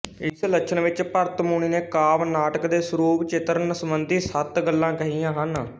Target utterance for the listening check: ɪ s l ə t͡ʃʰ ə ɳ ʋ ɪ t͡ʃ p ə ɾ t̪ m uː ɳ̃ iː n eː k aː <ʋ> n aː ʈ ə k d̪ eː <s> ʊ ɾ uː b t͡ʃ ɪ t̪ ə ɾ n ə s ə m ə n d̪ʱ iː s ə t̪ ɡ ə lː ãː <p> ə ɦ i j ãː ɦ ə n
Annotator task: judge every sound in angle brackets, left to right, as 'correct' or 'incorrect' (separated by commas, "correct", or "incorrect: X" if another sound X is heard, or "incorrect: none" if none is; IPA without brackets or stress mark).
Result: correct, correct, incorrect: k